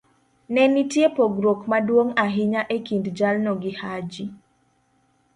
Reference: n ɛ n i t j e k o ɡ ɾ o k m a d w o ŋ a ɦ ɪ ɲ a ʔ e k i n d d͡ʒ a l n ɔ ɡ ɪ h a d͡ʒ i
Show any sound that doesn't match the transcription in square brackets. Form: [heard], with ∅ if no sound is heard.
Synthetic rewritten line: n ɛ n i t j e [p] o ɡ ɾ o k m a d w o ŋ a ɦ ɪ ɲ a ʔ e k i n d d͡ʒ a l n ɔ ɡ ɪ h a d͡ʒ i

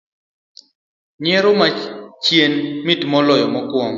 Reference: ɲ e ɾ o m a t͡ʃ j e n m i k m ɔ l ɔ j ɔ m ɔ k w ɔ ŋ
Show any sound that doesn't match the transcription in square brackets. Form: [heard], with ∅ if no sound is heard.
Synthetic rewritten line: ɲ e ɾ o m a t͡ʃ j e n m i [t] m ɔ l ɔ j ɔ m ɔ k w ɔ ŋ

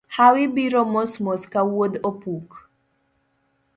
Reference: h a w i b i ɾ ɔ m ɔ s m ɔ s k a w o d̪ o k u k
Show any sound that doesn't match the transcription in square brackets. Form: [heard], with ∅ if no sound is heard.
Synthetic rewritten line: h a w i b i ɾ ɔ m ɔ s m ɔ s k a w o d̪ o [p] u k

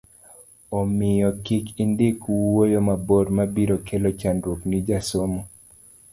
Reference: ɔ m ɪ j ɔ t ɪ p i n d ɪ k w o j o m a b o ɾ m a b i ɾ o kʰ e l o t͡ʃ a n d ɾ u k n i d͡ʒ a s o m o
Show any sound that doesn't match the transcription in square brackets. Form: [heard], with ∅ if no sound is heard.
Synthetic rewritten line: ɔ m ɪ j ɔ [k] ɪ [k] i n d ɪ k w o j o m a b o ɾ m a b i ɾ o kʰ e l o t͡ʃ a n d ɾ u k n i d͡ʒ a s o m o

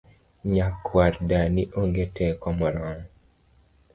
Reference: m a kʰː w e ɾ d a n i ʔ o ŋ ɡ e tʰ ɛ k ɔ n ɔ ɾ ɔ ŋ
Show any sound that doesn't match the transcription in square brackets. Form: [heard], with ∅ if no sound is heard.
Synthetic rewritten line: [ɲ] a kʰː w [a] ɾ d a n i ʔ o ŋ ɡ e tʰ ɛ k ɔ [m] ɔ ɾ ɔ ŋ

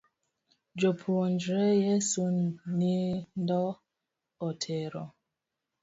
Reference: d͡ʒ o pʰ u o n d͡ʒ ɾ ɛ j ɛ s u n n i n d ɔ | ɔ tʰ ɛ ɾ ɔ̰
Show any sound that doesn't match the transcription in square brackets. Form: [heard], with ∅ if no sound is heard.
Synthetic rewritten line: d͡ʒ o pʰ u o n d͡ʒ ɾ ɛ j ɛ s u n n i n d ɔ | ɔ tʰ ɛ ɾ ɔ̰

